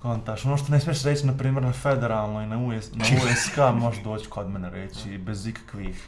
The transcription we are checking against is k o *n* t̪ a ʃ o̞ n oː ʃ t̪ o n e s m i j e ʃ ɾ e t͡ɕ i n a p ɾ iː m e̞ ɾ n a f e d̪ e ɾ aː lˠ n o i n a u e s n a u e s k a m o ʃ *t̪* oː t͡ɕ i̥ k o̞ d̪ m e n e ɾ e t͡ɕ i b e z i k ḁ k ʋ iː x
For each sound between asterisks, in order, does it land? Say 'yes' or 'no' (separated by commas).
yes, no